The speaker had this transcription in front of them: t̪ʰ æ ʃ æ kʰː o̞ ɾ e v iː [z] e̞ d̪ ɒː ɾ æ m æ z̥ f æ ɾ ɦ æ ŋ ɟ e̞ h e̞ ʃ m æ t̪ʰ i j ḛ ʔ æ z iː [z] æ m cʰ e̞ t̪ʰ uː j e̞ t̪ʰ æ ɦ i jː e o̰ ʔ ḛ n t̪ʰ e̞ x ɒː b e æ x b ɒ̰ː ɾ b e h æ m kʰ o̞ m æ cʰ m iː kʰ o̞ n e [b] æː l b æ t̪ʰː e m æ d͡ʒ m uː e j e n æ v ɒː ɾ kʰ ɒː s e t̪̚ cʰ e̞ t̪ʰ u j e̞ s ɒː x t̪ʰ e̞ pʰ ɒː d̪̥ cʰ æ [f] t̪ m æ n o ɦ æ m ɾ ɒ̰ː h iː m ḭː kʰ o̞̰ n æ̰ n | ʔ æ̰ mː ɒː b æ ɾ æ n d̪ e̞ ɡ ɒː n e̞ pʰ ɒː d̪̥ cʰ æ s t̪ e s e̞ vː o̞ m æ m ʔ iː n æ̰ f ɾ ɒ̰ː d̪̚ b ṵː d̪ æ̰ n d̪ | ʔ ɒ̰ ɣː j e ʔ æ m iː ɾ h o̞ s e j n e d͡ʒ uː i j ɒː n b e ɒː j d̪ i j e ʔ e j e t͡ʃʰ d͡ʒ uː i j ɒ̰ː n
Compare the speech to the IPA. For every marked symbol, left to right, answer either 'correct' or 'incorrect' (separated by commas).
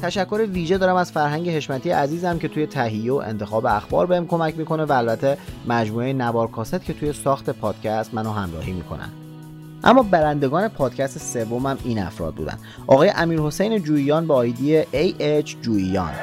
incorrect, correct, incorrect, incorrect